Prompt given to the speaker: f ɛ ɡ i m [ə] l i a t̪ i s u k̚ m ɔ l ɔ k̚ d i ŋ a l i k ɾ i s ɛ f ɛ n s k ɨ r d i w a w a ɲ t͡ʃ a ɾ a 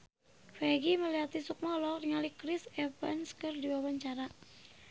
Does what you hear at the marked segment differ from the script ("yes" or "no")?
no